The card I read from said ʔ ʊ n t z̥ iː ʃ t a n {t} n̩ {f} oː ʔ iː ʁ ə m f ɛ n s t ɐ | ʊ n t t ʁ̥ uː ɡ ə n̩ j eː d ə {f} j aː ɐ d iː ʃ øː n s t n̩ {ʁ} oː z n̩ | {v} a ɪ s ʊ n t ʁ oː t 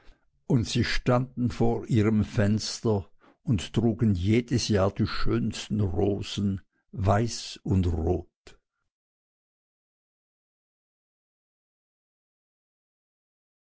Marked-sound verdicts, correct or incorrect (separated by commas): incorrect, correct, incorrect, correct, correct